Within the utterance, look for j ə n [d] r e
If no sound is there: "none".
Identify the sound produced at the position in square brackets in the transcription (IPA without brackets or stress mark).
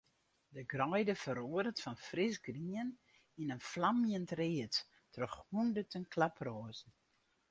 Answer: t